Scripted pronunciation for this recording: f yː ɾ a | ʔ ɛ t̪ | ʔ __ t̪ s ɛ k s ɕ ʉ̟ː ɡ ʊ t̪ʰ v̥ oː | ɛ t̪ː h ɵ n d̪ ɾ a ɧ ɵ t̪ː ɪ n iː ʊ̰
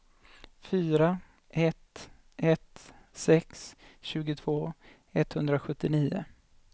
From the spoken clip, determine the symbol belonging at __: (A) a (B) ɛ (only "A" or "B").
B